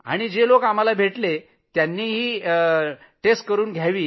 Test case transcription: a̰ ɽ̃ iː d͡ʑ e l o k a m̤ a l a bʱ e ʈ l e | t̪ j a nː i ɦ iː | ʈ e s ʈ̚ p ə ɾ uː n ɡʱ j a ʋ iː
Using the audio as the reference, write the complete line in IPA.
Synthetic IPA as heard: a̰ ɽ̃ i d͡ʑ e l o k a m̤ a l a bʱ e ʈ l e | t̪ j a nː iː ɦ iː | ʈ e s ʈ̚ k ə ɾ uː n ɡʱ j a ʋ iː

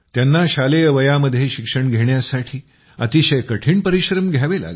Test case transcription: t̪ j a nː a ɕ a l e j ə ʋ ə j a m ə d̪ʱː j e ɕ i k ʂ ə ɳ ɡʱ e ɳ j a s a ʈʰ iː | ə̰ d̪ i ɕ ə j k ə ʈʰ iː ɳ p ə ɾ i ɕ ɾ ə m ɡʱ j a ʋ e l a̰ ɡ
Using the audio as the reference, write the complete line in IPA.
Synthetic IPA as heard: t̪ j a nː a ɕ a l e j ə ʋ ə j a m ə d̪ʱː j e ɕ i k ʂ ə ɳ ɡʱ e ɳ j a s a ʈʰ iː | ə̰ t̪ i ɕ ə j k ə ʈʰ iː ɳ p ə ɾ i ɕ ɾ ə m ɡʱ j a ʋ e l a̰ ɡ

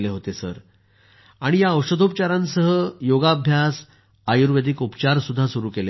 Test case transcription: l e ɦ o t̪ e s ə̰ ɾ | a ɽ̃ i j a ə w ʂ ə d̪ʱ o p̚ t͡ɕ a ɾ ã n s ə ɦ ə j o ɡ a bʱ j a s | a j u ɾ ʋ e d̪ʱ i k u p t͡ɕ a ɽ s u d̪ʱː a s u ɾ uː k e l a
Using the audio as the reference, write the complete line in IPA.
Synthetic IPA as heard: l e ɦ o t̪ e s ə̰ ɾ | a ɽ̃ i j a ə w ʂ ə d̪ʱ o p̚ t͡ɕ a ɾ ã n s ə ɦ ə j o ɡ a bʱ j a s | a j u ɾ ʋ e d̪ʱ i k u p t͡ɕ a ɾ s u d̪ʱː a s u ɾ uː k e l e

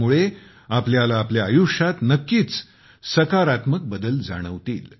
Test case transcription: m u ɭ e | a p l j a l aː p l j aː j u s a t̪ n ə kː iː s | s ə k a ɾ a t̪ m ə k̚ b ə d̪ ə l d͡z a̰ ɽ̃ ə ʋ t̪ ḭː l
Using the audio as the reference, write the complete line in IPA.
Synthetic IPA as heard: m u ɭ e | a p l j a l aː p l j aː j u ʂ a t̪ n ə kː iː t͡s | s ə k a ɾ a t̪ m ə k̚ b ə d̪ ə l d͡z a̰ ɽ̃ ə ʋ t̪ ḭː l

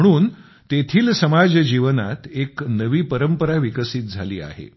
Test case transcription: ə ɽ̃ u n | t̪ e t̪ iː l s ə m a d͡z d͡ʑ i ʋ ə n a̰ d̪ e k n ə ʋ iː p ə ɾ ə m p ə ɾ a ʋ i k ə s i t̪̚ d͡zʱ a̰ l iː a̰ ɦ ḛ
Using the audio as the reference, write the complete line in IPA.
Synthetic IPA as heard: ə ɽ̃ uː n | t̪ e t̪ʰ iː l s ə m a d͡z d͡ʑ i ʋ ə n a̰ t̪ e k n ə ʋ iː p ə ɾ ə m p ə ɾ a ʋ i k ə s i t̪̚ d͡zʱ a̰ l iː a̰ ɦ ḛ

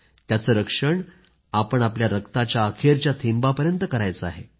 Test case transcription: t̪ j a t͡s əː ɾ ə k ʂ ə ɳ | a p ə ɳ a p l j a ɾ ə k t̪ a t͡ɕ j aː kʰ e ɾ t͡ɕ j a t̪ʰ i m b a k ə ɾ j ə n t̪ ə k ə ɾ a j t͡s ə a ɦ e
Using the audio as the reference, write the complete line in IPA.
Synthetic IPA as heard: t̪ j a t͡s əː ɾ ə k ʂ ə ɳ | a p ə ɳ a p l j a ɾ ə k t̪ a t͡ɕ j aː kʰ e ɾ t͡ɕ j a t̪ʰ i m b a p ə ɾ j ə n t̪ ə k ə ɾ a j t͡s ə a ɦ e

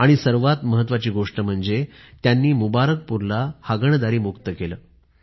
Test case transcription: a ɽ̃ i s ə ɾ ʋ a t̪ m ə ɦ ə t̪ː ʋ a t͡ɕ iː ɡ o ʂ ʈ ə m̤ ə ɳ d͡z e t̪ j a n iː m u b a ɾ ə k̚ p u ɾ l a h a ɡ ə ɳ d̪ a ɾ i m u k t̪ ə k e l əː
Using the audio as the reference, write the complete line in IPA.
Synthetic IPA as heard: a ɽ̃ i s ə ɾ ʋ a t̪ m ə ɦ ə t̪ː ʋ a t͡ɕ iː ɡ o ʂ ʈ ə m̤ ə ɳ d͡z e t̪ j a nː iː m u b a ɾ ə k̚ p u ɾ l a h a ɡ ə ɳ d̪ a ɾ iː m u k t̪ ə k e l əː

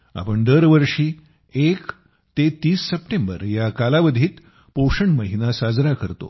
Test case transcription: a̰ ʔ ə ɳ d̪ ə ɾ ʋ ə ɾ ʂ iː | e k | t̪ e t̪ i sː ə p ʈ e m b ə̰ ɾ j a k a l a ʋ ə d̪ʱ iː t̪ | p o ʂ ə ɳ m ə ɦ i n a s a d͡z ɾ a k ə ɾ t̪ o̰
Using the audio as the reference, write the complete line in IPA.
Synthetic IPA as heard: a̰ p ə ɳ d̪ ə ɾ ʋ ə ɾ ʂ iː | e k | t̪ e t̪ iː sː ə p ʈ e m b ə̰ ɾ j a k a l a ʋ ə d̪ʱ iː t̪ | p o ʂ ə ɳ m ə ɦ i n a s a d͡z ɾ a k ə ɾ t̪ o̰

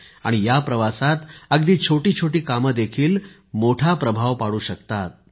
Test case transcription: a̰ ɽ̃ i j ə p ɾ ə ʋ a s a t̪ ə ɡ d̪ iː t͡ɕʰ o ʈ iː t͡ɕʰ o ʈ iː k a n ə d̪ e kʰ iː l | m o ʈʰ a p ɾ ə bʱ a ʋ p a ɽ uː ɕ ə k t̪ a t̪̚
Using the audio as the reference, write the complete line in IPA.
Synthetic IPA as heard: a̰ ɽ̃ i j a p ɾ ə ʋ a s a t̪ ə ɡ d̪ iː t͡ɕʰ o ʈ iː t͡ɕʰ o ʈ iː k a m ə d̪ e kʰ iː l | m o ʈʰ a p ɾ ə bʱ a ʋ p a ɽ uː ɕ ə k t̪ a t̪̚

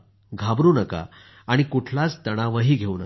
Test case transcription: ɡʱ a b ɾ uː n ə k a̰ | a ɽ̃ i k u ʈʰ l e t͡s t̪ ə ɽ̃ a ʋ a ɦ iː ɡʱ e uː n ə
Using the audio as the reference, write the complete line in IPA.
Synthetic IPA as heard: ɡʱ a b ɾ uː n ə k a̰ | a ɽ̃ i k u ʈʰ l a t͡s t̪ ə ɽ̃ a ʋ ə ɦ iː ɡʱ e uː n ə

